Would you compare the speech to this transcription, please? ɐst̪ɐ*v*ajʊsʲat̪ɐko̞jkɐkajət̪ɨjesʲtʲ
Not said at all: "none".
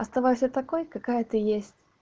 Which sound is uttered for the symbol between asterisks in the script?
v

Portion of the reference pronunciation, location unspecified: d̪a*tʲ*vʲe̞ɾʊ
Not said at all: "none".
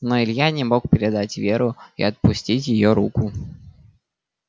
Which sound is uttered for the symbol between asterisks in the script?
tʲ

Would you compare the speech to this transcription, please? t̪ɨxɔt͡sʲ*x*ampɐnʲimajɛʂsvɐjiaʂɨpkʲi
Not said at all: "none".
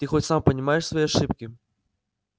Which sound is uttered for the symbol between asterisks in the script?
s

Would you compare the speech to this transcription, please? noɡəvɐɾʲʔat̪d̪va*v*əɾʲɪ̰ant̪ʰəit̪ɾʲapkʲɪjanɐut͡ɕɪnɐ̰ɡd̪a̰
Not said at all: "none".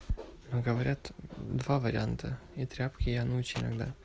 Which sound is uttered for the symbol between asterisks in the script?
v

